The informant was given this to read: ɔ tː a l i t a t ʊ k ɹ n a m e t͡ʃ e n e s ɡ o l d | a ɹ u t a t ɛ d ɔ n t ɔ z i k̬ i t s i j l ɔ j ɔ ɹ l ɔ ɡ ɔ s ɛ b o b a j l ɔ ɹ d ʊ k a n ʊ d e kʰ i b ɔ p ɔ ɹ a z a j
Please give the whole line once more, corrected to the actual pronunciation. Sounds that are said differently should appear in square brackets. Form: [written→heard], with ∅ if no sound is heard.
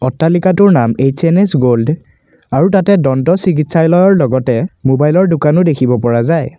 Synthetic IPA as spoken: ɔ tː a l i [t→k] a t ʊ [k→∅] ɹ n a m e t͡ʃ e n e s ɡ o l d | a ɹ u t a t ɛ d ɔ n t ɔ [z→s] i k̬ i t s [i→a] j l ɔ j ɔ ɹ l ɔ ɡ ɔ [s→t] ɛ [b→m] o b a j l ɔ ɹ d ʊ k a n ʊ d e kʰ i b ɔ p ɔ ɹ a z a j